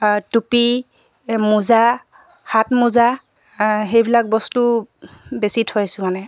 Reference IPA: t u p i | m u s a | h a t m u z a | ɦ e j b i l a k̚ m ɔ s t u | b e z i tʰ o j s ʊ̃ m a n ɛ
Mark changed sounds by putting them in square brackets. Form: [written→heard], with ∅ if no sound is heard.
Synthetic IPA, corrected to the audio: t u p i | m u [s→z] a | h a t m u z a | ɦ e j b i l a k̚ [m→b] ɔ s t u | b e [z→s] i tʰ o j s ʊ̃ m a n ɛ